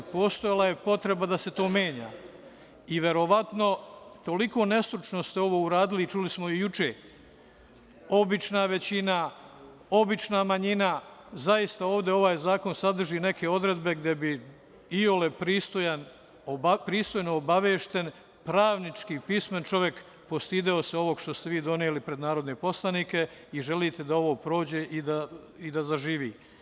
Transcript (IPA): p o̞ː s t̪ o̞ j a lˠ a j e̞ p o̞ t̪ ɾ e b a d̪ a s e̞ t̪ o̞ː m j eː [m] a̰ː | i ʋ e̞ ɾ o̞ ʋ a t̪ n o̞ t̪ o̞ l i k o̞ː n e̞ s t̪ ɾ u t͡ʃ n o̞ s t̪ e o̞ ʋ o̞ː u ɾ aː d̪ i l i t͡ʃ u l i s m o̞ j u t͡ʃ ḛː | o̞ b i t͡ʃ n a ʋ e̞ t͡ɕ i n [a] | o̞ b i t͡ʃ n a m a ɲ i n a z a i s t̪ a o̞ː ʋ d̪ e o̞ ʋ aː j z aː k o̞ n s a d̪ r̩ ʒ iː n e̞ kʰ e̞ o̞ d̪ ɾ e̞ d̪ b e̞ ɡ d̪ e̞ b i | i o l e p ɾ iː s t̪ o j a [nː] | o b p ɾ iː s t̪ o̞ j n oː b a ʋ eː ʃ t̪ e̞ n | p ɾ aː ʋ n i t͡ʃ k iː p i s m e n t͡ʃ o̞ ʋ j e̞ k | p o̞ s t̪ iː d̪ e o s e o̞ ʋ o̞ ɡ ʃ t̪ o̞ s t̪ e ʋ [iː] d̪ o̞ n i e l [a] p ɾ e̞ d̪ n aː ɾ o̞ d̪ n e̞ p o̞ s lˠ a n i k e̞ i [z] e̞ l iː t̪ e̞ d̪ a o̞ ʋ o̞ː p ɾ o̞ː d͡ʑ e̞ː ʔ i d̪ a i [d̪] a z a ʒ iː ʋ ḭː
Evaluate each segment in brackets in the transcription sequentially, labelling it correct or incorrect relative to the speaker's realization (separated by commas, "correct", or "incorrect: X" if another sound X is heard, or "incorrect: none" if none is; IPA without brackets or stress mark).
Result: incorrect: ɲ, correct, incorrect: n, correct, incorrect: i, incorrect: ʒ, correct